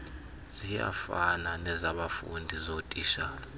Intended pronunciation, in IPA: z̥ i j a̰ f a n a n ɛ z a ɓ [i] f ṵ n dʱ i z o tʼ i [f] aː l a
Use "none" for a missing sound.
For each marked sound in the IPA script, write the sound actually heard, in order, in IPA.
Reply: a, ʃ

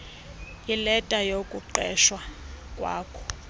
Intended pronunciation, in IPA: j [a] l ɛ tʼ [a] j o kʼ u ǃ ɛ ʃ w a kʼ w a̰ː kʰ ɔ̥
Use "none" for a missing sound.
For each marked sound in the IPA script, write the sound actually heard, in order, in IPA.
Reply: i, a

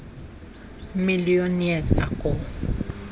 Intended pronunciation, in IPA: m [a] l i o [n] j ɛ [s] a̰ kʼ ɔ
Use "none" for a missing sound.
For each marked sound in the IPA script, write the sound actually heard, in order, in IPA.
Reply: i, n, z

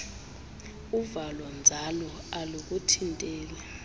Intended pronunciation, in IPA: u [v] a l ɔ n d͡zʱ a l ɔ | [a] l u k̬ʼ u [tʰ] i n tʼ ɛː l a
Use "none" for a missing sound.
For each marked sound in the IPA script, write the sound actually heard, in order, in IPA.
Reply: v, a, tʰ

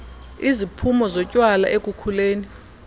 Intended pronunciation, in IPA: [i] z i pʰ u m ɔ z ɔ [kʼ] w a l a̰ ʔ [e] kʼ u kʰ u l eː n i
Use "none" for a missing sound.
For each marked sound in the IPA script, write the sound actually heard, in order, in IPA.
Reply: i, cʼ, e

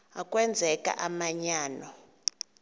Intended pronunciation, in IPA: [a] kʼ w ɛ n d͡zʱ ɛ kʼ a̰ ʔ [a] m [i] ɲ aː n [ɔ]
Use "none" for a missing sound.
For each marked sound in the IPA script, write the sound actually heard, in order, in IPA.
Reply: a, a, a, ɔ

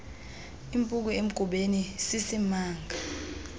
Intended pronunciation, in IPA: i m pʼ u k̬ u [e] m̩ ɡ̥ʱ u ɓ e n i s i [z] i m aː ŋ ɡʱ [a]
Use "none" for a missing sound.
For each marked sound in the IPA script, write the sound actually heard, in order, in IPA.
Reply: e, s, a

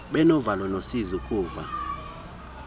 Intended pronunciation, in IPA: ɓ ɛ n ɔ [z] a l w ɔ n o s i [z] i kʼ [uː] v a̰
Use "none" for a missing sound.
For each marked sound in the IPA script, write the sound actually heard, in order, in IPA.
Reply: v, z, uː

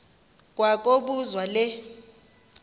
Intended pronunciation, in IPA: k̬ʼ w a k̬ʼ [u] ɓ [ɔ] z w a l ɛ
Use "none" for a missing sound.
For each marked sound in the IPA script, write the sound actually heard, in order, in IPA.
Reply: o, u

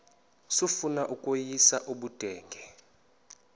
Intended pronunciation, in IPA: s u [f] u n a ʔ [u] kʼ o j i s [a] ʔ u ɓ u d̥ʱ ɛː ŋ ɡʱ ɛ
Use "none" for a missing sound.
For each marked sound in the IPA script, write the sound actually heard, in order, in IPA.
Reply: f, u, a

